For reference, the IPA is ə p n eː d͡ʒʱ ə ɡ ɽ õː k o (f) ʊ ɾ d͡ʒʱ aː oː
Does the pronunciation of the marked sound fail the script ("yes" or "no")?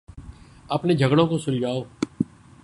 yes